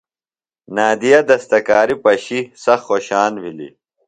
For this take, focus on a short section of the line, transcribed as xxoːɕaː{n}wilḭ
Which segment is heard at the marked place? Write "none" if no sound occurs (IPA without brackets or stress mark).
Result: n